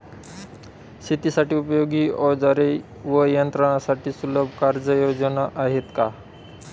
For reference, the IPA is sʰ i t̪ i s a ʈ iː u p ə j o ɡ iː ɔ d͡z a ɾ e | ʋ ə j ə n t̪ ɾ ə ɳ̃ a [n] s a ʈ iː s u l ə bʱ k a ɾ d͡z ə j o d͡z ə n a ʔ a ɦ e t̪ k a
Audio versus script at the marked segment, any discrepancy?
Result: yes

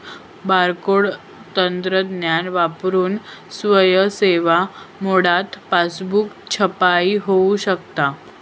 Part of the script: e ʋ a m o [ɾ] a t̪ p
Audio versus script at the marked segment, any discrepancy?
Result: yes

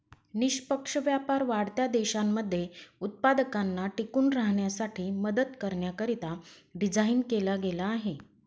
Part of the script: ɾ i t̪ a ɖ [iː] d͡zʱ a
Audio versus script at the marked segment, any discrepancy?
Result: yes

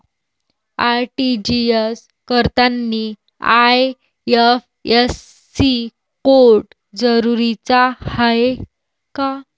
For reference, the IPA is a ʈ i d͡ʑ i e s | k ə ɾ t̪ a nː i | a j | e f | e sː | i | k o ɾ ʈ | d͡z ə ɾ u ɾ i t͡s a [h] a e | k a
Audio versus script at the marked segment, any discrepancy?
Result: no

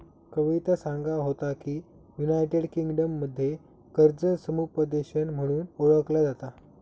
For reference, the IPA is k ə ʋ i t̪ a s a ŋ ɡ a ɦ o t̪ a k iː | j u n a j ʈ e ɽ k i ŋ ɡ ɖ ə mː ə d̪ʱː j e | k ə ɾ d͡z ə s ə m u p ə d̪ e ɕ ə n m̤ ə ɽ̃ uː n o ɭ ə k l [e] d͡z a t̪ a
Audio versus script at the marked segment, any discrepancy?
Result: yes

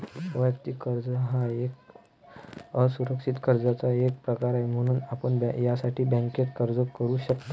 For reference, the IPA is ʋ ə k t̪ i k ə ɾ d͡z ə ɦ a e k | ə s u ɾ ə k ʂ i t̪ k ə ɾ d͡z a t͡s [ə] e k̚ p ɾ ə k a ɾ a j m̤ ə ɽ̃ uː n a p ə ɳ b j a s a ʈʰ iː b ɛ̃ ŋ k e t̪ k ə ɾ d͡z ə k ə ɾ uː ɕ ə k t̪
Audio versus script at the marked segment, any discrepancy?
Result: yes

